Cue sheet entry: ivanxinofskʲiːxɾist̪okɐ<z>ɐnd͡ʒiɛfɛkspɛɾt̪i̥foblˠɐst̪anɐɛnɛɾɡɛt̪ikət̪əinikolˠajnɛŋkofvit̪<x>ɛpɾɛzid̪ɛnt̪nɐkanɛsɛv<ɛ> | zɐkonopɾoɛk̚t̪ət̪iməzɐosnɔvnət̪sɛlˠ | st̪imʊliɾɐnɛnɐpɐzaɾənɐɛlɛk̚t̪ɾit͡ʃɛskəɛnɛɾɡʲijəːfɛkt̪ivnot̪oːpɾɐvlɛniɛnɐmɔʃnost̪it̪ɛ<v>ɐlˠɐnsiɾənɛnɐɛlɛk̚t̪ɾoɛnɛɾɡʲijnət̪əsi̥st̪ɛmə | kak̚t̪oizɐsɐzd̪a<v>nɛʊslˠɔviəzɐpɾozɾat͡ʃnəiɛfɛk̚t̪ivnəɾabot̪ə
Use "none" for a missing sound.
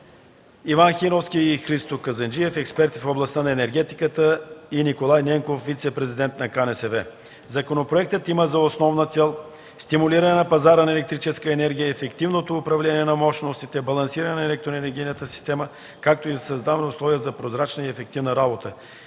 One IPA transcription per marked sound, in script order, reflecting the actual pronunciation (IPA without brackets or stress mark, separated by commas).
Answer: z, s, ɛ, b, v